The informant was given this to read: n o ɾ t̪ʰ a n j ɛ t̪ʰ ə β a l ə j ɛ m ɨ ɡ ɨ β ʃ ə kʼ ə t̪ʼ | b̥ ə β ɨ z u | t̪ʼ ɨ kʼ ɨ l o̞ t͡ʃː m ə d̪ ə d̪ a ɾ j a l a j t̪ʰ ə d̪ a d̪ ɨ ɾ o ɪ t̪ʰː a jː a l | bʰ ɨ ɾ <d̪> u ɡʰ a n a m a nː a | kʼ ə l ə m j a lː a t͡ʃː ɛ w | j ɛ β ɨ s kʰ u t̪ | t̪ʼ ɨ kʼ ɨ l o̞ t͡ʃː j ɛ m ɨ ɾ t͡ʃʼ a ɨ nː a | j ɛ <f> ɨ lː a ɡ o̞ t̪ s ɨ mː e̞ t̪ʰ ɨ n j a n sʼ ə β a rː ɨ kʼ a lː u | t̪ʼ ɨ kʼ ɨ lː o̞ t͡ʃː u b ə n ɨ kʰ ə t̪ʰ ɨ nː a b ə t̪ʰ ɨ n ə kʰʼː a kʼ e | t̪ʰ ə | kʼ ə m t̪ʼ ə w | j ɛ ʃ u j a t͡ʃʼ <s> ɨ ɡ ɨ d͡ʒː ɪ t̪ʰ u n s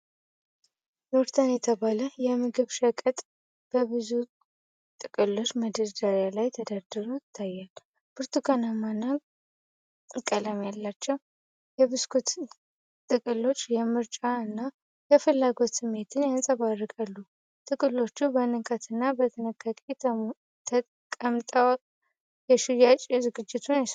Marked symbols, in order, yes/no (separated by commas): no, yes, no